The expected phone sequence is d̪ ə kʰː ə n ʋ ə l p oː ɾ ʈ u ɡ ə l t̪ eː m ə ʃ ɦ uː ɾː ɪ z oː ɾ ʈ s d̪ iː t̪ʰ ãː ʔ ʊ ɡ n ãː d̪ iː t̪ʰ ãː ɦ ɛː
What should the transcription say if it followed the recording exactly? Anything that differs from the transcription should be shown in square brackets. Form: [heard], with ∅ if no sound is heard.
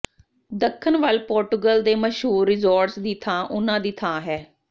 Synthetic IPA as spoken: d̪ ə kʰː ə n ʋ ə l p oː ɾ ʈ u ɡ ə l [d̪] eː m ə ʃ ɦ uː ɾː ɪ z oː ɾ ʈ s d̪ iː t̪ʰ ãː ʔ ʊ [∅] n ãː d̪ iː t̪ʰ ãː ɦ ɛː